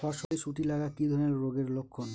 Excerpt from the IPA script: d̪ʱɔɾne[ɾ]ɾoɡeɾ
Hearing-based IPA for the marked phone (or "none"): ɾ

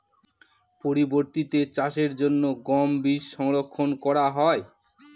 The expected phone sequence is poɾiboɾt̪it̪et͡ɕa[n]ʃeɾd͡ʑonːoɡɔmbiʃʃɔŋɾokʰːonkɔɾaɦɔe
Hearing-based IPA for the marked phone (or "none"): none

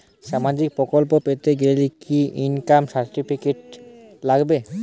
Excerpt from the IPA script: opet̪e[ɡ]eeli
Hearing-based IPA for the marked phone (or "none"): ɡ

